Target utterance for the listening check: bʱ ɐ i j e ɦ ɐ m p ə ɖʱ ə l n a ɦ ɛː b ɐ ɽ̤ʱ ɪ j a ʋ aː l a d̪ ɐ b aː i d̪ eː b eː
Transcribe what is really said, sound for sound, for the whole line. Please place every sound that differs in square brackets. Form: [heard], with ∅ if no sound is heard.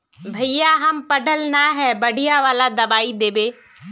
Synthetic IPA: bʱ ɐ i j [a] ɦ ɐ m p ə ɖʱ ə l n a ɦ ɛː b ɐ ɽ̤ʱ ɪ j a ʋ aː l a d̪ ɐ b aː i d̪ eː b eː